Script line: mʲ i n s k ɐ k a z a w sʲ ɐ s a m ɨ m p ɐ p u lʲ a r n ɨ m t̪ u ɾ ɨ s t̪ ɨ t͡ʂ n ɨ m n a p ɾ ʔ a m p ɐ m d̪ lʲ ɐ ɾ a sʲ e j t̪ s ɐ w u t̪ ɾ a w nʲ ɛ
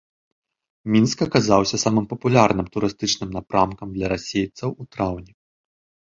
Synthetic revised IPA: mʲ i n s k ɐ k a z a w sʲ ɐ s a m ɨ m p ɐ p u lʲ a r n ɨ m t̪ u ɾ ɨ s t̪ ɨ t͡ʂ n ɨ m n a p ɾ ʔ a m k ɐ m d̪ lʲ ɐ ɾ a sʲ e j t̪ s ɐ w u t̪ ɾ a w nʲ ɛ